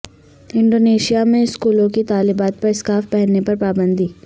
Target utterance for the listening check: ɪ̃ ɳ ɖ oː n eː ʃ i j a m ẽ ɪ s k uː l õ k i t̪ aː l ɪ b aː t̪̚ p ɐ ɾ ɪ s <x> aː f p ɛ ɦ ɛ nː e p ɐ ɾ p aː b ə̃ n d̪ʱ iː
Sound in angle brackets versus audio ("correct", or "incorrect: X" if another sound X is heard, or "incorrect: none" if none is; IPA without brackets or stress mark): incorrect: k